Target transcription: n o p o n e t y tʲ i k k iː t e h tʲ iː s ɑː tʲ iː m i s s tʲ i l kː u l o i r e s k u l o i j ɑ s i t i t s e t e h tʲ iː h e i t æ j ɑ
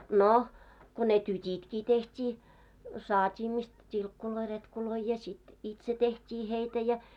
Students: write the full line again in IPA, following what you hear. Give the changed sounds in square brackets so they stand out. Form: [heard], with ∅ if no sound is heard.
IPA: n o [k] o n e t y tʲ i [t] k iː t e h tʲ iː s ɑː tʲ iː m i s [t] tʲ i l kː u l o i r e [t] k u l o i j ɑ s i t i t s e t e h tʲ iː h e i t æ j ɑ